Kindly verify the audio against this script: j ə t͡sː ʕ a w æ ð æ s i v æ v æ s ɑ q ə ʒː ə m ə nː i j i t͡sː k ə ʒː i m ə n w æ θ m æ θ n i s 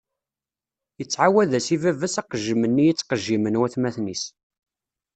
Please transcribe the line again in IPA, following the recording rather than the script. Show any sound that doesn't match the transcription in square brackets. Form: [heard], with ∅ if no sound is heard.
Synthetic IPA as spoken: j ə t͡sː ʕ a w æ ð æ s i v æ v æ s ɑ q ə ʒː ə m ə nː i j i t͡sː [q] ə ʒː i m ə n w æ θ m æ θ n i s